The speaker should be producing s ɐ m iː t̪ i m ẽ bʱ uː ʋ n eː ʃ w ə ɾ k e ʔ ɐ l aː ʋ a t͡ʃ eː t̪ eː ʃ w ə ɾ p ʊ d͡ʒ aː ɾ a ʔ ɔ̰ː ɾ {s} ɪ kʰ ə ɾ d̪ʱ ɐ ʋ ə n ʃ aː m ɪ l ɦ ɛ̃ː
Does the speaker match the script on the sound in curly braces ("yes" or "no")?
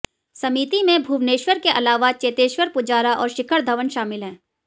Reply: no